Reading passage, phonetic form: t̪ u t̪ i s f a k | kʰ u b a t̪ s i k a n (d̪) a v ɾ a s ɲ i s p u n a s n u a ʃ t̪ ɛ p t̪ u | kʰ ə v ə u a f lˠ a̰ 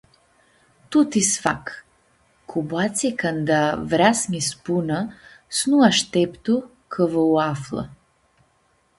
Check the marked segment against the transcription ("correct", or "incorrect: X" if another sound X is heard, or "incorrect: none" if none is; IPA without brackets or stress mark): correct